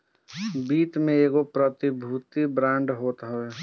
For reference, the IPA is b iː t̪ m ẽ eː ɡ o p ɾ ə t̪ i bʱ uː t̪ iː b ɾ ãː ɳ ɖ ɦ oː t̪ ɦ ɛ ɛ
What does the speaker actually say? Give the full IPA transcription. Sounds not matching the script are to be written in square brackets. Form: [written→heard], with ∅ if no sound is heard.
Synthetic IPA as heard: b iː t̪ m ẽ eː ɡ o p ɾ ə t̪ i bʱ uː t̪ [iː→i] b ɾ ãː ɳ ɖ ɦ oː t̪ ɦ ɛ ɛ